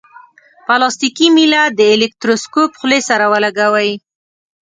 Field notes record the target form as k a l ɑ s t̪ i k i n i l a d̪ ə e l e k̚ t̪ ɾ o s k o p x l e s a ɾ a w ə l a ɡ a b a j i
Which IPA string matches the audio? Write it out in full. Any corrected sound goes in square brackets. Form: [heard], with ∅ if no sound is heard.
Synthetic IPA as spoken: [p] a l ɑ s t̪ i k i [m] i l a d̪ ə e l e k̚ t̪ ɾ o s k o p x l e s a ɾ a w ə l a ɡ a [w] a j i